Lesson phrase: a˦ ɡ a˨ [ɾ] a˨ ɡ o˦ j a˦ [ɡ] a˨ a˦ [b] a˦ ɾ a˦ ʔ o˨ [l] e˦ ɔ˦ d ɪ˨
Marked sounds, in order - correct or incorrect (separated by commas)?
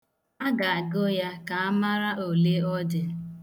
incorrect, incorrect, incorrect, correct